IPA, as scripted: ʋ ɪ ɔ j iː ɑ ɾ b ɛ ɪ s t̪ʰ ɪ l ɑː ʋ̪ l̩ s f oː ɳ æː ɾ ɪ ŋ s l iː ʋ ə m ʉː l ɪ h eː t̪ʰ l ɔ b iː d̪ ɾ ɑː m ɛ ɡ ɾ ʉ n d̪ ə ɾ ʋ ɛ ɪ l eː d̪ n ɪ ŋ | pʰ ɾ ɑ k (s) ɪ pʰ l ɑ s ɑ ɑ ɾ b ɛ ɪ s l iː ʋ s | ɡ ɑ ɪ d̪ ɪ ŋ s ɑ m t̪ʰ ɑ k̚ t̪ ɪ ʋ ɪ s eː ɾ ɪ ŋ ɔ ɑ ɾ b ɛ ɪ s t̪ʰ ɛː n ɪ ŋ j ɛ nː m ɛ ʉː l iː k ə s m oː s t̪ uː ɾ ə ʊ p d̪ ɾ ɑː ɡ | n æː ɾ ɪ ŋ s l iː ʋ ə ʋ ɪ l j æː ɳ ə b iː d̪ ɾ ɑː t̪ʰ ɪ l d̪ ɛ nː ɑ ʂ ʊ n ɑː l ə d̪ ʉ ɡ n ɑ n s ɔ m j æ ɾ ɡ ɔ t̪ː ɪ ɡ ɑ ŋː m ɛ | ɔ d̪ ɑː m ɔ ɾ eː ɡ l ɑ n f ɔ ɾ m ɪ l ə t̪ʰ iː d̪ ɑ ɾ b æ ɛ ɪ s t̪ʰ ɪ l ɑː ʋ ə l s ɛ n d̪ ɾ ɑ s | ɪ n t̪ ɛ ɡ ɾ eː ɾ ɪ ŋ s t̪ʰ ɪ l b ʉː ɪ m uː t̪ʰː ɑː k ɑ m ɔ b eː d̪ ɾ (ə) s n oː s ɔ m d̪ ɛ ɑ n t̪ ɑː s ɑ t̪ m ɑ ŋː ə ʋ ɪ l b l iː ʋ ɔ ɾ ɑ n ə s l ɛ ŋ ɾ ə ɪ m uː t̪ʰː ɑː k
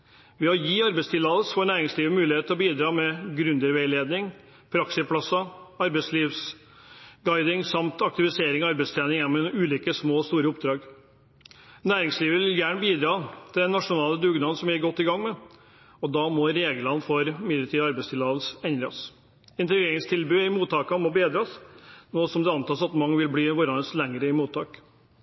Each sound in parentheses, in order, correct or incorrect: correct, incorrect

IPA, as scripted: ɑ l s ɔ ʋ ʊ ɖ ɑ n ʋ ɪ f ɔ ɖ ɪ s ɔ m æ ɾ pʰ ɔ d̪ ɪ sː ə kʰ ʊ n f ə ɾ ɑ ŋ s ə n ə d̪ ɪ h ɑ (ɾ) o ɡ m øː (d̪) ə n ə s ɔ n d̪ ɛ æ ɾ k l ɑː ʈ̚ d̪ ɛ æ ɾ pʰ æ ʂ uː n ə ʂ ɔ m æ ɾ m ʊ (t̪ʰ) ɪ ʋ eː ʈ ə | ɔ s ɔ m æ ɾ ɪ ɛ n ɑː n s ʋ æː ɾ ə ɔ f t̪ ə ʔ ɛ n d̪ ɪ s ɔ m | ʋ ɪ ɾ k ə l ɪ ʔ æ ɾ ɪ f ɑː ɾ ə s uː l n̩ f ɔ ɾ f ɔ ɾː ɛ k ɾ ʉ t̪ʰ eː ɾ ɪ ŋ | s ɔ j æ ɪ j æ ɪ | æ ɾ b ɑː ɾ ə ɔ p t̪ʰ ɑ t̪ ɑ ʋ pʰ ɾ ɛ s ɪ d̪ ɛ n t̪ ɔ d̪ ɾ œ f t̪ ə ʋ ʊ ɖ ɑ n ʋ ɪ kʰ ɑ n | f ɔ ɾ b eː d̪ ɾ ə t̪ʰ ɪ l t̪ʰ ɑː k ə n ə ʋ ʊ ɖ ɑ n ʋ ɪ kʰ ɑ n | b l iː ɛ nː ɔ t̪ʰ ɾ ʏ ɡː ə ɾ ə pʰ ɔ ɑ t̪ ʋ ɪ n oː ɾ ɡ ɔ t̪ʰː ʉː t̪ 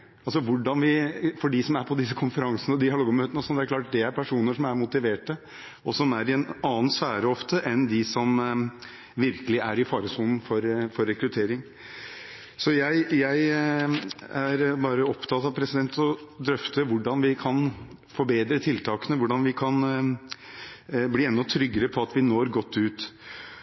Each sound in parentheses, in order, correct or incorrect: incorrect, incorrect, incorrect

